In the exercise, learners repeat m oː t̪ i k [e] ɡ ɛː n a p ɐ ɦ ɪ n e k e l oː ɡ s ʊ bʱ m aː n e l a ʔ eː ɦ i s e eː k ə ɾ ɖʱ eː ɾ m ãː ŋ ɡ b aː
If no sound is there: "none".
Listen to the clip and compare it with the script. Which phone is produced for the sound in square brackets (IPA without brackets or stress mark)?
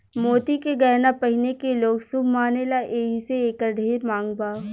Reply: e